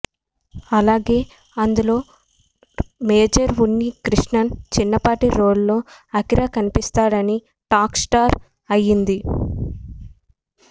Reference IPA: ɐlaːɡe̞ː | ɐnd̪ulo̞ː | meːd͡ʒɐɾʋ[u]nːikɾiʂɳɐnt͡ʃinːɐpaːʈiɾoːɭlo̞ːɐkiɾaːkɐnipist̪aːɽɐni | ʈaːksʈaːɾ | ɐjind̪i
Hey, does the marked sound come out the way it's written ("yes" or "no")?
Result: yes